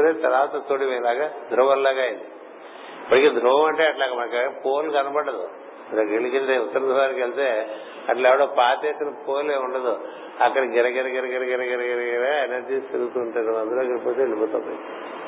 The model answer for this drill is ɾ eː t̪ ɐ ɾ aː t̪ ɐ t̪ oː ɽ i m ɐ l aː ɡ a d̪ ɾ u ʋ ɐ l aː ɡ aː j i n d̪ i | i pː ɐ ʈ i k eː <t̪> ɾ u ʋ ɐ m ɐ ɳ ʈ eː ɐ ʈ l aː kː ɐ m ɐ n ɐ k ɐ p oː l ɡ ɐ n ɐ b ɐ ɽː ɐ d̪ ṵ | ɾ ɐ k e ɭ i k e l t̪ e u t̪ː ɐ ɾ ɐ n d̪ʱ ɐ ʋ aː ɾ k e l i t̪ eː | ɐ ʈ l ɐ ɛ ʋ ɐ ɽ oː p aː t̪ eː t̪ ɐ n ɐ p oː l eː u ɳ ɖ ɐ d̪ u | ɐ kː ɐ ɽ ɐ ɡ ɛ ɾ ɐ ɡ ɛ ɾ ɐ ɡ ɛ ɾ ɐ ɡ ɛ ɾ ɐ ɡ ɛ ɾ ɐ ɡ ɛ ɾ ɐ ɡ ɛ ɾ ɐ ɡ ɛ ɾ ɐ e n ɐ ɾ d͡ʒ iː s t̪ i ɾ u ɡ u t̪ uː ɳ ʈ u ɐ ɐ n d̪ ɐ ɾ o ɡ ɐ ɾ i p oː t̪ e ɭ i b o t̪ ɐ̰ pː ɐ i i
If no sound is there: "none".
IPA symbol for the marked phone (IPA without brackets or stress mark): d̪